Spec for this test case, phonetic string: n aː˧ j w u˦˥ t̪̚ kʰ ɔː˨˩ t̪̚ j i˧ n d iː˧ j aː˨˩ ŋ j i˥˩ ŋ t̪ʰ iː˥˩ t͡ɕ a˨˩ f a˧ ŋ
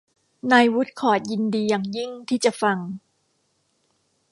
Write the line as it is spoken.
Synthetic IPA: n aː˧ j w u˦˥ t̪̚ kʰ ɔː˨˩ t̪̚ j i˧ n d iː˧ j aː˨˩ ŋ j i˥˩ ŋ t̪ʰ iː˥˩ t͡ɕ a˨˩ f a˧ ŋ